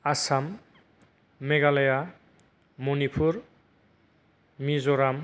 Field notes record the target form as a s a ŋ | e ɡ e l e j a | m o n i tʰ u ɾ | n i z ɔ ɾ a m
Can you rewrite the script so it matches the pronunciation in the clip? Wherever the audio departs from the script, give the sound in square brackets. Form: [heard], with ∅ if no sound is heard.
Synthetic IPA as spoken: a s a [m] | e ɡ [a] l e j a | m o n i [pʰ] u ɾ | [m] i z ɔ ɾ a m